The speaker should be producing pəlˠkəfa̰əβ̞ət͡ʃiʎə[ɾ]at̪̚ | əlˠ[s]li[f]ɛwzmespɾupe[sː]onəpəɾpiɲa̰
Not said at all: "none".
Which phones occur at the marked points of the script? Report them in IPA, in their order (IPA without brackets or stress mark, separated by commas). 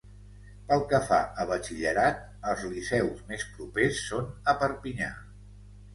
ɾ, z, s, sː